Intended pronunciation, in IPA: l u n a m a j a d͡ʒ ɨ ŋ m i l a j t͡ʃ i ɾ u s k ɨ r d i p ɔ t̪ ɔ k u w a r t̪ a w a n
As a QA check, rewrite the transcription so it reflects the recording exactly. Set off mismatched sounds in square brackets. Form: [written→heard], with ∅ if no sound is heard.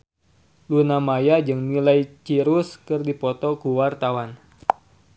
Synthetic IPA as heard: l u n a m a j a d͡ʒ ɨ ŋ [m→n] i l a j t͡ʃ i ɾ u s k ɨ r d i p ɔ t̪ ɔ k u w a r t̪ a w a n